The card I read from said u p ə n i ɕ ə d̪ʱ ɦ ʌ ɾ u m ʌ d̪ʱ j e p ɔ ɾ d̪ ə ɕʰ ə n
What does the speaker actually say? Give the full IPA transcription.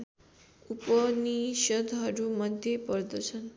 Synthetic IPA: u p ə n i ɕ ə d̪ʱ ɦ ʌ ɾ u m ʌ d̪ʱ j e p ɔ ɾ d̪ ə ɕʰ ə n